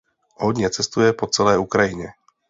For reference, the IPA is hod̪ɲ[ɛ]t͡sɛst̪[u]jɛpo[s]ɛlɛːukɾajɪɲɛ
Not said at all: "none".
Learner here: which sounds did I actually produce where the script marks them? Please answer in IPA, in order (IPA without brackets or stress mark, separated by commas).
ɛ, u, t͡s